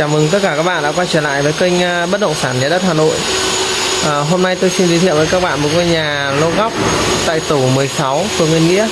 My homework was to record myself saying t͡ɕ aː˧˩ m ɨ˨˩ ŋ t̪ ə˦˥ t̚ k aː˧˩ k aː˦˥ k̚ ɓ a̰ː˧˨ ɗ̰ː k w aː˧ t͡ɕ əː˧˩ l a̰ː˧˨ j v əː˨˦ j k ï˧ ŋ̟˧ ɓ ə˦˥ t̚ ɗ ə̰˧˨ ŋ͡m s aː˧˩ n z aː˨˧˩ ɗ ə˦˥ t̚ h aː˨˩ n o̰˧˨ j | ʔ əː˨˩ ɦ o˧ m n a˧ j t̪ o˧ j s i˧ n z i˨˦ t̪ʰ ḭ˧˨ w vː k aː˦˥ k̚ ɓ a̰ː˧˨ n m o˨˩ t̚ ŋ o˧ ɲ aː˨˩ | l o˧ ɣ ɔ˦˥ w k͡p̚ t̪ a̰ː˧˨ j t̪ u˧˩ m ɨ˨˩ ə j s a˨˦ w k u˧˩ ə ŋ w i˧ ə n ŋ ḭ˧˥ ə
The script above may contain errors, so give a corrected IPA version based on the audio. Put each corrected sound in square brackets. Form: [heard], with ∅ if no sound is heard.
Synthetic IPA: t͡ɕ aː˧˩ m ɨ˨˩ ŋ t̪ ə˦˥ t̚ k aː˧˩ k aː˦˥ k̚ ɓ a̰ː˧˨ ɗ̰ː k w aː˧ t͡ɕ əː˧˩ l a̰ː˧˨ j v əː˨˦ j k ï˧ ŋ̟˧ ɓ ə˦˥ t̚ ɗ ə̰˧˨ ŋ͡m s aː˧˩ n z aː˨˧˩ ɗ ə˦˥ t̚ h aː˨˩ n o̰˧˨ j | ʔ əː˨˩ ɦ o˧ m n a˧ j t̪ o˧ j s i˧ n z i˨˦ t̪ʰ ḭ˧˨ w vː k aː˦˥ k̚ ɓ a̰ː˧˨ n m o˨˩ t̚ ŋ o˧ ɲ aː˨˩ | l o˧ ɣ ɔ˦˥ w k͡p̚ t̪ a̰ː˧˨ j t̪ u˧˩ m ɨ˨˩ ə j s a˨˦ w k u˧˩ ə ŋ w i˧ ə n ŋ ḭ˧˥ ə